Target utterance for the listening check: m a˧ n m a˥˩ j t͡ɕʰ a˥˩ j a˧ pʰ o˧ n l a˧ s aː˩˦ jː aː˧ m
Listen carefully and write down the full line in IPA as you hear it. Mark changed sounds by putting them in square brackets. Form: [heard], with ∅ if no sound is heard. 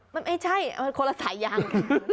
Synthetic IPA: m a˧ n m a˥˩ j t͡ɕʰ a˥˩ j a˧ [kʰ] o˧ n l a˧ s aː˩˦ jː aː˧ [ŋ]